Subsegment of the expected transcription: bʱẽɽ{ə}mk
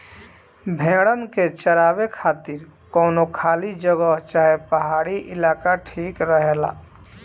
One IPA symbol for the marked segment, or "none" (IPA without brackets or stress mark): ə